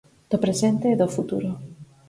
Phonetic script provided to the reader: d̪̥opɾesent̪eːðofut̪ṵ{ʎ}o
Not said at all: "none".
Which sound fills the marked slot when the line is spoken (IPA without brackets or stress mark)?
ɾ